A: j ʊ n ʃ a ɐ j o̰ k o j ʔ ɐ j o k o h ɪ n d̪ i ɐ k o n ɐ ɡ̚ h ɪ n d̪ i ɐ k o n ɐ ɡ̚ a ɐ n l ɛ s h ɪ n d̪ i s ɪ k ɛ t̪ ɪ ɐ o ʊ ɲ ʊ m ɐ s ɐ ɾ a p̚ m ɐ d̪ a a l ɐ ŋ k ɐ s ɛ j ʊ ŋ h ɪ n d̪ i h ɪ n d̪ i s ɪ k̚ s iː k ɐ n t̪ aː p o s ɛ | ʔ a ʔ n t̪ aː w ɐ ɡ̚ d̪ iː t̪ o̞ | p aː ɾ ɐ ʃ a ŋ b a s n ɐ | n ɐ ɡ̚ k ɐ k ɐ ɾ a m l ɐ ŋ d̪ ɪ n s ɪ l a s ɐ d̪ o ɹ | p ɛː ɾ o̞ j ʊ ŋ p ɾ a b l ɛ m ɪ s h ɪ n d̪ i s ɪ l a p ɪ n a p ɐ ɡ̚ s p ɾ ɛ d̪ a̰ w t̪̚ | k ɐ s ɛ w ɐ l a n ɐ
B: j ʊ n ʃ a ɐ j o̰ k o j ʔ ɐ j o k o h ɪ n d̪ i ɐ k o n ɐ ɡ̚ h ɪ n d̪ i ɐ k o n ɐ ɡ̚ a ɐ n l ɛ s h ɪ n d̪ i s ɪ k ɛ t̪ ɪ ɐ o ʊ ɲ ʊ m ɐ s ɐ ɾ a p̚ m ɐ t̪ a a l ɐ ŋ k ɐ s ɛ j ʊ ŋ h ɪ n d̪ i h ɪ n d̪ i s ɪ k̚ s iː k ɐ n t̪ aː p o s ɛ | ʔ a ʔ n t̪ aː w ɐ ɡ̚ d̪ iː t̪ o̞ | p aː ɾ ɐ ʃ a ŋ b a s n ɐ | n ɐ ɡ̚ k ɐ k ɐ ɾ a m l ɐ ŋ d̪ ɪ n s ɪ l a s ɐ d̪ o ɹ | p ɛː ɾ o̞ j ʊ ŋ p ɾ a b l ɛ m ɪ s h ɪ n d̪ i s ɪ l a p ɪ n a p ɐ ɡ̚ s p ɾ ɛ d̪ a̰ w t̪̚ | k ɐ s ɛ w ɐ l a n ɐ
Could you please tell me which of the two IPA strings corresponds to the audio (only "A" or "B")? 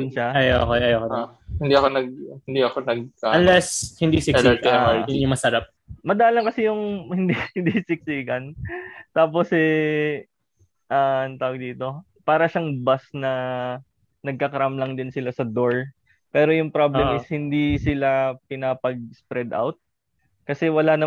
A